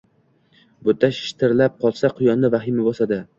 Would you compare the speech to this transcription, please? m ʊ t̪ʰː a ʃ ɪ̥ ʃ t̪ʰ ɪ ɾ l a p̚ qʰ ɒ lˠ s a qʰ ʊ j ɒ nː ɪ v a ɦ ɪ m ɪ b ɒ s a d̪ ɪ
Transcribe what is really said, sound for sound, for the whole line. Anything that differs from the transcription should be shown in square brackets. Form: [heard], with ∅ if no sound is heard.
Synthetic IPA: [b] ʊ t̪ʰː a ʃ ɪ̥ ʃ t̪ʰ ɪ ɾ l a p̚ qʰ ɒ lˠ s a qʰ ʊ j ɒ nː ɪ v a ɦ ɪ m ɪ b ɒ s a d̪ ɪ